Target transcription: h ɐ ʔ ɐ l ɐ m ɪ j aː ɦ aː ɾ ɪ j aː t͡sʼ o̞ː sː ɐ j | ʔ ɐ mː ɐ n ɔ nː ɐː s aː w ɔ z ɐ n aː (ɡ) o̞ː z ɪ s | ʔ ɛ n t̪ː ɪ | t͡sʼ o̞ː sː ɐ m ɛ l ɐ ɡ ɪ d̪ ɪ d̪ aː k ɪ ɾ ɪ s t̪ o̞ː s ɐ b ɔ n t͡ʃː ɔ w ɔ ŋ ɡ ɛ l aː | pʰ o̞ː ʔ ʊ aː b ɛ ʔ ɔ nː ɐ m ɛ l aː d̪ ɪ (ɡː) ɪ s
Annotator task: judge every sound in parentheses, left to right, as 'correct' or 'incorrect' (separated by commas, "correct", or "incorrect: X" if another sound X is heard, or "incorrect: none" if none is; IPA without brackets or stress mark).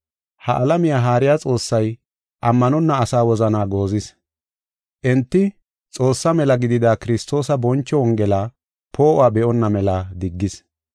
correct, correct